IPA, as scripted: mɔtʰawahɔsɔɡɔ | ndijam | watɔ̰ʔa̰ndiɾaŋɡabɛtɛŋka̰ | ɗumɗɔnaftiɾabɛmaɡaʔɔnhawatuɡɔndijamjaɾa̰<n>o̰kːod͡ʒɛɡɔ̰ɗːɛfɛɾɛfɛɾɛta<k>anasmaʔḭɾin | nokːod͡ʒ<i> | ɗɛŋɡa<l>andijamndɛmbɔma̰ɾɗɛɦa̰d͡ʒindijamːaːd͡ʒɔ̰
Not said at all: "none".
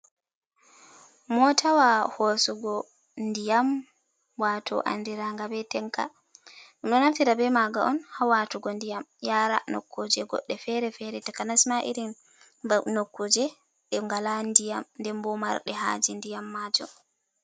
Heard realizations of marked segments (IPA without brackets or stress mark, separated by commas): n, k, ɛ, l